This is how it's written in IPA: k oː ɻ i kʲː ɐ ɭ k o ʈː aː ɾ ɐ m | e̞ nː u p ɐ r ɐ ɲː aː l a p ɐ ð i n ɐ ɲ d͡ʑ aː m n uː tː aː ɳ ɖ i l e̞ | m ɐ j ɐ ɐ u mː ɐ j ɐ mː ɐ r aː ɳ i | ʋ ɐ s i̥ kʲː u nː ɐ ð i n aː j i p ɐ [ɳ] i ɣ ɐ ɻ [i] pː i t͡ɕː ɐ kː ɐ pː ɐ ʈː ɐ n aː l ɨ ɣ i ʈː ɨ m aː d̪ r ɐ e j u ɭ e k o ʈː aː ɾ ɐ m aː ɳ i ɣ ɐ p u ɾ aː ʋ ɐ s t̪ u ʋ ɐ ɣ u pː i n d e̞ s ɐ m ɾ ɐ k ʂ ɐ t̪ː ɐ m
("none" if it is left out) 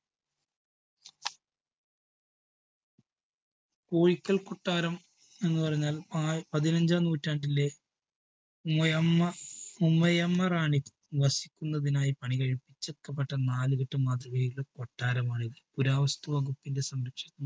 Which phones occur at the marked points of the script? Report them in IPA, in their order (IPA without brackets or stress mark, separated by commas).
ɳ, i